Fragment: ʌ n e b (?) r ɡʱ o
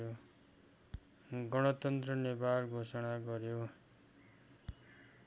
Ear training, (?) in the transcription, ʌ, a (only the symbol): a